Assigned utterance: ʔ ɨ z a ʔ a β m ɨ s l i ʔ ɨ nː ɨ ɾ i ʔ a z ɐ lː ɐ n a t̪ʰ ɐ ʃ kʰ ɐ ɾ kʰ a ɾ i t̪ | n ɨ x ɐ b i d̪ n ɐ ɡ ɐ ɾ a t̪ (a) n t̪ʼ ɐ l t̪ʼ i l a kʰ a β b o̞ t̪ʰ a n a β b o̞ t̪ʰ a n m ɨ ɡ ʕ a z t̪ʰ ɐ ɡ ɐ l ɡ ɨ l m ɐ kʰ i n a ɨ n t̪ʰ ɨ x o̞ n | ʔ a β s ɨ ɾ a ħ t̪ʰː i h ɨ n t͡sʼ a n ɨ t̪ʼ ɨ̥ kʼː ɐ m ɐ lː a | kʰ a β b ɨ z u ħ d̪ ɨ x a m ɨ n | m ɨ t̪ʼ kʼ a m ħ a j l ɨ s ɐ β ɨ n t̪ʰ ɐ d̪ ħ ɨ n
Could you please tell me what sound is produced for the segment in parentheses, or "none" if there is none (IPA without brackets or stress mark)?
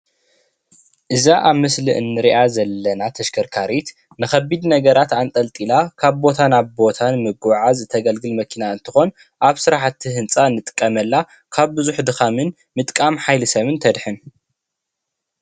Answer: a